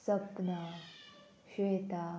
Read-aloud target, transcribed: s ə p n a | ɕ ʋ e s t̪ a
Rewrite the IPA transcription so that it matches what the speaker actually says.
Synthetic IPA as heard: s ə p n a | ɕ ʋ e t̪ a